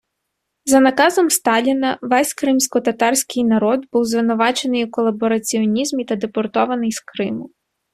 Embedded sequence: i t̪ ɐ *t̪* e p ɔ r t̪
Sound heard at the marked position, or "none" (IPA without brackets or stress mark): d̪